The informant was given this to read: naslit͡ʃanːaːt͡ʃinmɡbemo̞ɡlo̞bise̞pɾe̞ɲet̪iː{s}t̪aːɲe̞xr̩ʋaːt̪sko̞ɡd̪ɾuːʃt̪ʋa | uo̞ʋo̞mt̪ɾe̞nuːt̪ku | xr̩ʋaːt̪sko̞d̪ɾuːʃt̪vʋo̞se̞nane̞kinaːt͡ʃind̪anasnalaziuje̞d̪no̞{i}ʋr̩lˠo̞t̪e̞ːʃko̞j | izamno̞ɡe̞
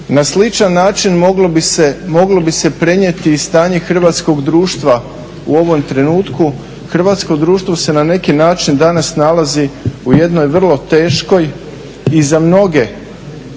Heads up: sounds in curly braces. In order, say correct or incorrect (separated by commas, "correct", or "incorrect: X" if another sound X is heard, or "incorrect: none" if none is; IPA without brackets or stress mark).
correct, incorrect: j